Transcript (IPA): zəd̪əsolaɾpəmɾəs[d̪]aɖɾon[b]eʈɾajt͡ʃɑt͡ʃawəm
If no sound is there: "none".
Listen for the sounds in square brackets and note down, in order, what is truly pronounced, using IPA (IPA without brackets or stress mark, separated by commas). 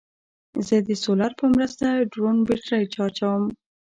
t̪, b